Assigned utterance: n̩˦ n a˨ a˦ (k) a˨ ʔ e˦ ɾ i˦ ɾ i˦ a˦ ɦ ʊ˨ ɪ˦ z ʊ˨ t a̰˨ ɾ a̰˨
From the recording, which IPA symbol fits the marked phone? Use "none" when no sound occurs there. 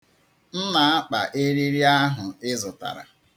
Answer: k͡p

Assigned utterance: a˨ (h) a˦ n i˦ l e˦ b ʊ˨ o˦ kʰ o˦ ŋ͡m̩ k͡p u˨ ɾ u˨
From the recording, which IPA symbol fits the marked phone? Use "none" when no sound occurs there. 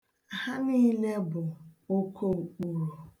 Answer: h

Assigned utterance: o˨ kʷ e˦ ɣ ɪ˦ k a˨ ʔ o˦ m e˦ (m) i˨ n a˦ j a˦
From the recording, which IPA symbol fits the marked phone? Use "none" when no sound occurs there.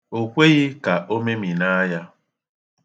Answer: m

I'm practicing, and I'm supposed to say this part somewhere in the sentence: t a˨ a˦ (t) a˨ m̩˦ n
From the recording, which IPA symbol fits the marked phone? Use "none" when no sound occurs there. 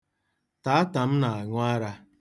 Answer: t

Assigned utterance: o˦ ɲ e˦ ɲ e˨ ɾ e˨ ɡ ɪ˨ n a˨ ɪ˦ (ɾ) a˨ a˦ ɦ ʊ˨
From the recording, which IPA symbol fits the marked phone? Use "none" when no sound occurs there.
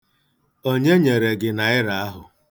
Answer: ɾ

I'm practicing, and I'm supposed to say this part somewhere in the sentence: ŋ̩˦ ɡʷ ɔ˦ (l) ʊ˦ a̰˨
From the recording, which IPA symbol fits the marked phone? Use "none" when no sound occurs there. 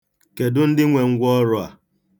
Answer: ɾ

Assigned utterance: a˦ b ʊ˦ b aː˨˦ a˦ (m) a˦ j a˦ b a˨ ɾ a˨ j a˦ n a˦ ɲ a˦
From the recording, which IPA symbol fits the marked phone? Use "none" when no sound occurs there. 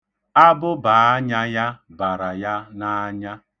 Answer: ɲ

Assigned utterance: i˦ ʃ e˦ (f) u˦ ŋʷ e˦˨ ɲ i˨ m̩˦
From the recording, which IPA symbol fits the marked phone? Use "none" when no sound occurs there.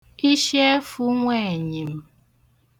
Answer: f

